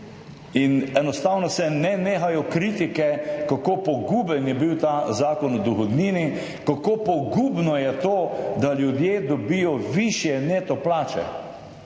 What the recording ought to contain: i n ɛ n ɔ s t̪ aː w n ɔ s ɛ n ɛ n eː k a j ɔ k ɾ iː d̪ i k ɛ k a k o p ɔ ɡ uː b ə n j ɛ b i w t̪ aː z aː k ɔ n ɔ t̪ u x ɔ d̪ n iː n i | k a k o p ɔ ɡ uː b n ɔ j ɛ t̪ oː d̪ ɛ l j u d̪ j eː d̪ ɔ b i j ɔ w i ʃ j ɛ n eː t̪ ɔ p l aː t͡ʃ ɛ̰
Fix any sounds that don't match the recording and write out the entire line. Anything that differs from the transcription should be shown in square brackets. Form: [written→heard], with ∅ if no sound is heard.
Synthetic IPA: i n ɛ n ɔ s t̪ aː w n ɔ s ɛ n ɛ n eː [k→x] a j ɔ k ɾ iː [d̪→t̪] i k ɛ k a k o p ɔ ɡ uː b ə n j ɛ b i w t̪ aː z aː k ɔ n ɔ [t̪→d̪] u x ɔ d̪ n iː n i | k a k o p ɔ ɡ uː b n ɔ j ɛ t̪ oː d̪ [ɛ→a] l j u d̪ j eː d̪ ɔ b i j ɔ [w→ʋ] i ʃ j ɛ n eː t̪ ɔ p l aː t͡ʃ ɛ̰